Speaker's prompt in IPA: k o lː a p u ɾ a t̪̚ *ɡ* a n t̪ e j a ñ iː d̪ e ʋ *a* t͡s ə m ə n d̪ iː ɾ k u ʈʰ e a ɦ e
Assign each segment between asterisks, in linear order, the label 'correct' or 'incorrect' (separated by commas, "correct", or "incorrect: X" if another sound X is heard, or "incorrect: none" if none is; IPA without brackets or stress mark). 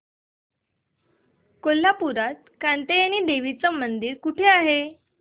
incorrect: k, incorrect: i